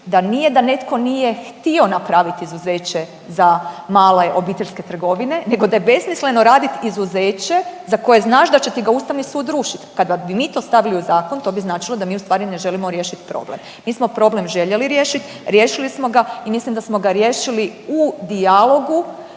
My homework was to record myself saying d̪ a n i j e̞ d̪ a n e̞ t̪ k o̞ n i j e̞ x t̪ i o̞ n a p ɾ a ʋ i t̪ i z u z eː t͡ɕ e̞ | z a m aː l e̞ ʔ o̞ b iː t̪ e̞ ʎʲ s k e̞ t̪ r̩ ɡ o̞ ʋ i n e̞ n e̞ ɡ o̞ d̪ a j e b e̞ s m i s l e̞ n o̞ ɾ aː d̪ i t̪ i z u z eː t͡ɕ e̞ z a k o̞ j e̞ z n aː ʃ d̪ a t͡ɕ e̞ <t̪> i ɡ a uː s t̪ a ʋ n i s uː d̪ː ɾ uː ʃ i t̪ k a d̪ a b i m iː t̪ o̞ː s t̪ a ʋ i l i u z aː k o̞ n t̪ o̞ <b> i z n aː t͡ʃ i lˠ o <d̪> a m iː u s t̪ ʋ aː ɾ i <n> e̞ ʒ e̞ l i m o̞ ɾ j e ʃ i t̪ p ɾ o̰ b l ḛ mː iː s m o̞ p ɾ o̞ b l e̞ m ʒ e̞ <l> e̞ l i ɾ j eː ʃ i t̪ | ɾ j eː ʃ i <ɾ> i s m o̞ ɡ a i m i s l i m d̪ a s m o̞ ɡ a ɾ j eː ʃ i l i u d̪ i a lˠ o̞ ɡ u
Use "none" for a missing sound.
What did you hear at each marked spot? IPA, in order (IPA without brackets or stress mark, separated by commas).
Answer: t̪, b, d̪, n, ʎ, l